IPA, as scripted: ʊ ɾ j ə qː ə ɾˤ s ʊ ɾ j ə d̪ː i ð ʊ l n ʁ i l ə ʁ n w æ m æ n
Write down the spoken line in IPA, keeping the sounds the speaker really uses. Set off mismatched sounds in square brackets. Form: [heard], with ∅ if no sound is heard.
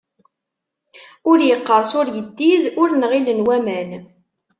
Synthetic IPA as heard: ʊ ɾ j ə qː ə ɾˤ s ʊ ɾ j ə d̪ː i ð ʊ [ɾ] n ʁ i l ə [∅] n w æ m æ n